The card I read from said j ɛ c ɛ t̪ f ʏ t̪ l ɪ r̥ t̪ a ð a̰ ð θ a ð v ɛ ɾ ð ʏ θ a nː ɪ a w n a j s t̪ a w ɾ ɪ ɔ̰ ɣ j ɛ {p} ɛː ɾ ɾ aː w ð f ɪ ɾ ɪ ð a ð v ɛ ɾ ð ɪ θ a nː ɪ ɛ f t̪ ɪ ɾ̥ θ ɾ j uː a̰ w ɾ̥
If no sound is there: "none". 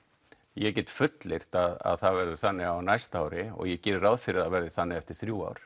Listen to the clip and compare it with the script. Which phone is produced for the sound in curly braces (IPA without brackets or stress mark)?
c